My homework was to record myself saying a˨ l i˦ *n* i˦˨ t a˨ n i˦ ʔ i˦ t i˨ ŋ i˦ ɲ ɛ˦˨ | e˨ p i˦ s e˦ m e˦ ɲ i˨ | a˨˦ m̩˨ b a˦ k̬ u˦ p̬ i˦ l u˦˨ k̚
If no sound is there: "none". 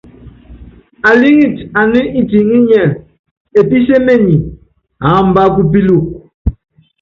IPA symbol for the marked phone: ŋ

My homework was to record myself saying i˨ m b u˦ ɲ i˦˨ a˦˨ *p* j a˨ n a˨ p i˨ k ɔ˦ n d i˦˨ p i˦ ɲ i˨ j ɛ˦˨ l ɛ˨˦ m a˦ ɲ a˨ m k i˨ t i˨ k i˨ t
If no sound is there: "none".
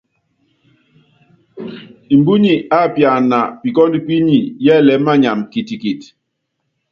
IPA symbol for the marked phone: p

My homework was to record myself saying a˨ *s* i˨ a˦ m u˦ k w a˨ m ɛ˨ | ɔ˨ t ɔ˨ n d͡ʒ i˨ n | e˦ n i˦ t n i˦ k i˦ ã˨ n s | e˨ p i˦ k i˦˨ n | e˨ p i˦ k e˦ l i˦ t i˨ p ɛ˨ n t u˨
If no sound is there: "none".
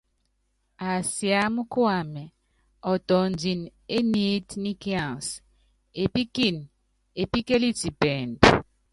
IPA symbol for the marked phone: s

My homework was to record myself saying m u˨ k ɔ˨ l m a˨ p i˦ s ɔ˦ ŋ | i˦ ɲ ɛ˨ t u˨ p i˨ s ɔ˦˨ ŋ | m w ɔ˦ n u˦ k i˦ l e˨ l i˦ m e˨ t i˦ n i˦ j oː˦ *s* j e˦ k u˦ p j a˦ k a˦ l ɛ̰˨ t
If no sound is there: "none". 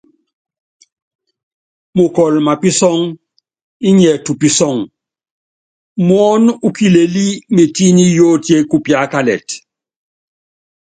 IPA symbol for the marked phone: t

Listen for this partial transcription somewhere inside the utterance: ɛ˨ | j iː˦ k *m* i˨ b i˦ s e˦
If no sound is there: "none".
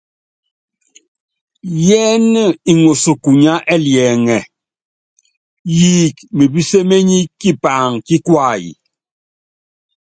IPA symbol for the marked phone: m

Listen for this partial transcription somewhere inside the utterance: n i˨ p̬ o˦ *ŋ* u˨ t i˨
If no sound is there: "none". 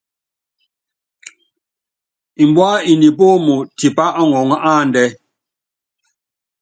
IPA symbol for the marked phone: m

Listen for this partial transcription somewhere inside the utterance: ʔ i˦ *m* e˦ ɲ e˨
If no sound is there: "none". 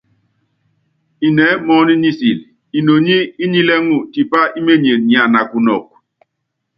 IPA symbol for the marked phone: m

